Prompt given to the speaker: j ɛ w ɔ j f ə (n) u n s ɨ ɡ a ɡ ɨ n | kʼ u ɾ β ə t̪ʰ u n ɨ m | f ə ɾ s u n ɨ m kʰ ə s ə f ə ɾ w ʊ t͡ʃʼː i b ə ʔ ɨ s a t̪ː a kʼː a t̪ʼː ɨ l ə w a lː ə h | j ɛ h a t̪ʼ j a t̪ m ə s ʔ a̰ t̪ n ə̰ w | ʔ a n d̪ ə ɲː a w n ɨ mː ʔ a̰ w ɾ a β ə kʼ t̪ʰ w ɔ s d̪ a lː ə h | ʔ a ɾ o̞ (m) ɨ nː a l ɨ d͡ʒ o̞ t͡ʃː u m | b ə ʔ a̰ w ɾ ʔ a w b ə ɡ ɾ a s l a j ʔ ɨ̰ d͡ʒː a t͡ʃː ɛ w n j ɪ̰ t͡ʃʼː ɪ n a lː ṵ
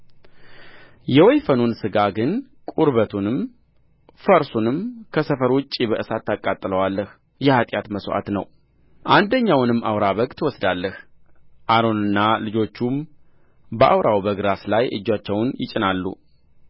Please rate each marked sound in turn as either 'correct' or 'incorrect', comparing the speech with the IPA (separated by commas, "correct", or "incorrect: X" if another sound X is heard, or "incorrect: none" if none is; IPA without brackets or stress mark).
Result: correct, incorrect: n